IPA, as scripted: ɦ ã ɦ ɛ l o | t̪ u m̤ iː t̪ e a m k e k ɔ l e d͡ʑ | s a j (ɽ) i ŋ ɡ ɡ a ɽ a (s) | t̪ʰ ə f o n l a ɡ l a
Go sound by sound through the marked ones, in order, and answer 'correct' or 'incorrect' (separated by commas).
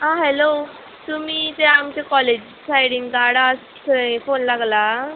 correct, correct